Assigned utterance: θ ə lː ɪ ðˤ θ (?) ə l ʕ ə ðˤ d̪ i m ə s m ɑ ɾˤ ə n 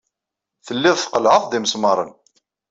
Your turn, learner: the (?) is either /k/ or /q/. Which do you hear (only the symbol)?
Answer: q